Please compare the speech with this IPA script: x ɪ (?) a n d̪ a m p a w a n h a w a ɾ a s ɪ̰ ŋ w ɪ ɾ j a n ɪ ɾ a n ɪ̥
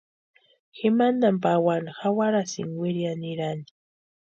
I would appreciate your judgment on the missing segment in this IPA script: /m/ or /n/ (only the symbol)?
m